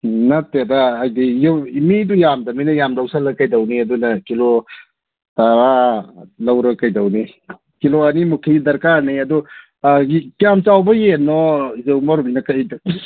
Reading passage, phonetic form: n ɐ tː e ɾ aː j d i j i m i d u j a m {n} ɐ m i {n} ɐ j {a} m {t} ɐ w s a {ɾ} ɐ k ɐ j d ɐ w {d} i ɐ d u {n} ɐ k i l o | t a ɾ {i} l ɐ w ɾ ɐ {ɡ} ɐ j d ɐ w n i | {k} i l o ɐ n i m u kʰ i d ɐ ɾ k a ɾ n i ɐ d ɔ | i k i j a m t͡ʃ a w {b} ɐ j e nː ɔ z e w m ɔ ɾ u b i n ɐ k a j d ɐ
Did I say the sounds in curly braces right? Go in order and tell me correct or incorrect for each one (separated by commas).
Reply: incorrect, correct, correct, incorrect, incorrect, incorrect, correct, incorrect, incorrect, correct, correct